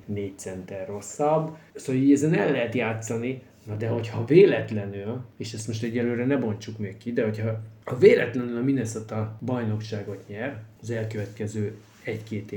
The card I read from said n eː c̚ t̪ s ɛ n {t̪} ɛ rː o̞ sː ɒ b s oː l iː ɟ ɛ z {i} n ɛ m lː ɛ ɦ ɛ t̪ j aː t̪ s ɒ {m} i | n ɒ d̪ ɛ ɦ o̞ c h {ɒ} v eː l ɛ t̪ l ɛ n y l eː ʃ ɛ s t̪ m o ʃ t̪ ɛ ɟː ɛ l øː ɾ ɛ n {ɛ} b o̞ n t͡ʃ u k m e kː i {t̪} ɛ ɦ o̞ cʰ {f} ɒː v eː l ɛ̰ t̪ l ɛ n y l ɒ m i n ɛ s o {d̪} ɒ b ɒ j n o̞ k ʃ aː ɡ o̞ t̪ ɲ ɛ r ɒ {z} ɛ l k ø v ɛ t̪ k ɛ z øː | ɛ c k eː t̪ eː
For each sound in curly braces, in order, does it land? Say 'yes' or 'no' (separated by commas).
yes, no, no, yes, yes, no, no, no, yes